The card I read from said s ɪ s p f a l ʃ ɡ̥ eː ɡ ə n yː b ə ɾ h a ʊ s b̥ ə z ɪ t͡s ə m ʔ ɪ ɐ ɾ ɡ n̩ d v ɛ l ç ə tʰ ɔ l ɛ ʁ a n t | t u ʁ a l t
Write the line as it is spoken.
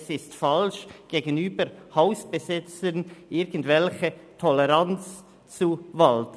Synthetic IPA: s ɪ s t f a l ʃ ɡ̥ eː ɡ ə n yː b ə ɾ h a ʊ s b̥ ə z ɪ t͡s ə n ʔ ɪ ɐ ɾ ɡ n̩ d v ɛ l ç ə tʰ ɔ l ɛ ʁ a n t͡s | t͡s u v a l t